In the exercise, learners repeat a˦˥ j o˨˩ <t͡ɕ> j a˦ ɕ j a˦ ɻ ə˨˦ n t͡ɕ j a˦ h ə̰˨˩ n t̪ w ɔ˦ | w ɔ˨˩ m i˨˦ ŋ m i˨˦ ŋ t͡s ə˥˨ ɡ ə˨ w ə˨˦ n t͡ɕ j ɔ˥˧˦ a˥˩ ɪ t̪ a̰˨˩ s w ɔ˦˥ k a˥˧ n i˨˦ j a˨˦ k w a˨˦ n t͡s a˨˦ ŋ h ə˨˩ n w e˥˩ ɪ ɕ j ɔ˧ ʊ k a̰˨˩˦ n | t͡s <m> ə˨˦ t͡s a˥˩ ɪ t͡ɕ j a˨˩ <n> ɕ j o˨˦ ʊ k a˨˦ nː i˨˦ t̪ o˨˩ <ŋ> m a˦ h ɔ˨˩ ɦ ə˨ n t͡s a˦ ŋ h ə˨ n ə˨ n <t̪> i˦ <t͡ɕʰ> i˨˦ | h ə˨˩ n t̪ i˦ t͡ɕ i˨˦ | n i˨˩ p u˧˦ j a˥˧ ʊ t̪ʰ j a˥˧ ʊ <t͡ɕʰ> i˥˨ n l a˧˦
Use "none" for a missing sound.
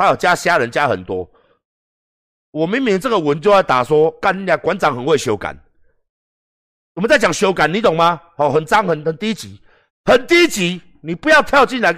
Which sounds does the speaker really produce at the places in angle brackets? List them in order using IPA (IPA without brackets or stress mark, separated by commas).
t͡ɕ, m, ŋ, ŋ, t̪, t͡ɕ, t͡ɕ